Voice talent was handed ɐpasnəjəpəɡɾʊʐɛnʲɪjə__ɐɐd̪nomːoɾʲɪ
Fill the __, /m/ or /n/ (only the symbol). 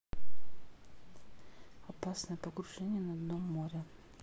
n